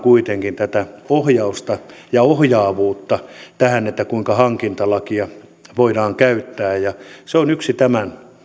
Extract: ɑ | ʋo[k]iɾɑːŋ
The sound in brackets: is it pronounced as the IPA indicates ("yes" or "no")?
no